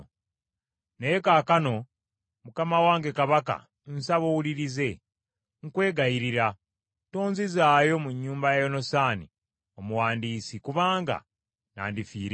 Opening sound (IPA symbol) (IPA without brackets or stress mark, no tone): n